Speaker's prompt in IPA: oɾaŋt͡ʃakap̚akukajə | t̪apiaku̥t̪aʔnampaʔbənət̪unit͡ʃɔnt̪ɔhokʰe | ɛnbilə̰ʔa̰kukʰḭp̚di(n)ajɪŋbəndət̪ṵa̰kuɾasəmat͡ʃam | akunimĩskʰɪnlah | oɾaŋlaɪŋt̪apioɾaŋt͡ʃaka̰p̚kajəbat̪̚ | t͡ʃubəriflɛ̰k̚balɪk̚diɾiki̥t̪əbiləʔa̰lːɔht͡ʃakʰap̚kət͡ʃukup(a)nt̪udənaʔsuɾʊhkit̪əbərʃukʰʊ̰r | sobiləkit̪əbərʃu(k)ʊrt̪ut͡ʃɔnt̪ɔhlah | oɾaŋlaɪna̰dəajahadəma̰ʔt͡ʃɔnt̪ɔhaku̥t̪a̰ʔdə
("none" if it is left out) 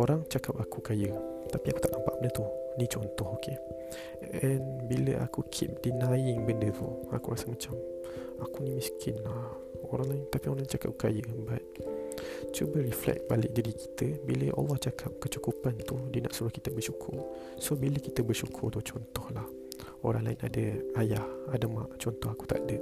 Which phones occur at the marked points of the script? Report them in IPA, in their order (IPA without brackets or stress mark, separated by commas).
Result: n, a, kʰ